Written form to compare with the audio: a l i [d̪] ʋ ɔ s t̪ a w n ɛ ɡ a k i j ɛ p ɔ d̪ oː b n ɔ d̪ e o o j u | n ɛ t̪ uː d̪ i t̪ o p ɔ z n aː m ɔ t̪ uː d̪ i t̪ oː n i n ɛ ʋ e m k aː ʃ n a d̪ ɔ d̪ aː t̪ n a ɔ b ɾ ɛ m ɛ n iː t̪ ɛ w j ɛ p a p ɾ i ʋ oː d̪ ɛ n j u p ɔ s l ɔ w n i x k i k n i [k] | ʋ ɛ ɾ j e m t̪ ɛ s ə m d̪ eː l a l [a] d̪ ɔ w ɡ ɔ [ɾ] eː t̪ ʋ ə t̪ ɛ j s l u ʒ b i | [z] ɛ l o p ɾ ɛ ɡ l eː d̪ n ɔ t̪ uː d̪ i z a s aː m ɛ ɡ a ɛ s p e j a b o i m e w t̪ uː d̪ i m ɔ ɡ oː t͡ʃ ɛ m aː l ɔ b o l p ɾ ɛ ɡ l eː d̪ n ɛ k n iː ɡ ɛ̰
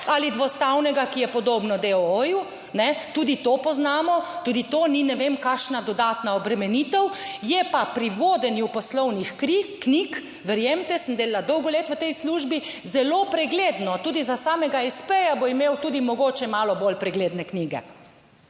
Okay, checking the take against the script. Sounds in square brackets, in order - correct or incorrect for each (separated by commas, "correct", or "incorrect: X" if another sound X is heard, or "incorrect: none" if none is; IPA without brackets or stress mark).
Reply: correct, correct, correct, incorrect: l, correct